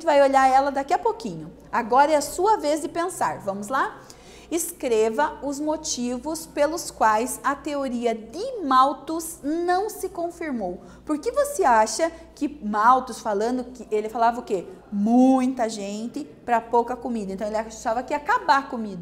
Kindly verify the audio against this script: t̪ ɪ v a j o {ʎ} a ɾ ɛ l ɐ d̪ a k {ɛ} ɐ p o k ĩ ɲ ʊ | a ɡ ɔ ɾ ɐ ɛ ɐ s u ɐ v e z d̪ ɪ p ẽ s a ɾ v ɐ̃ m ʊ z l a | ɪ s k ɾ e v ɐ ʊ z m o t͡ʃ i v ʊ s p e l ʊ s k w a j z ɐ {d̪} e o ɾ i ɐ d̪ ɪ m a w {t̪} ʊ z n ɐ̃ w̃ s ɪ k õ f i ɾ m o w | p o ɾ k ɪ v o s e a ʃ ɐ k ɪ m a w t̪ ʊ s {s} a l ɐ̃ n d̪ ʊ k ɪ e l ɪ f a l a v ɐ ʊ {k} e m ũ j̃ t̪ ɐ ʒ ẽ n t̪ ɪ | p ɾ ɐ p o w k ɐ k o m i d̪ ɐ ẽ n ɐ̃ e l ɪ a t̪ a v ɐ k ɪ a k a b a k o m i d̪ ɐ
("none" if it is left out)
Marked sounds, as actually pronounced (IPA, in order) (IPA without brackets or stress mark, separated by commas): ʎ, i, t̪, t̪, f, k